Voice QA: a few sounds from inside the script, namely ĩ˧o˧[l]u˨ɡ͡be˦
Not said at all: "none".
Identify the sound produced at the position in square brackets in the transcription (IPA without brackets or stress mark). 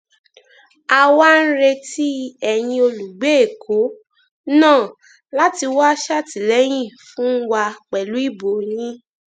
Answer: l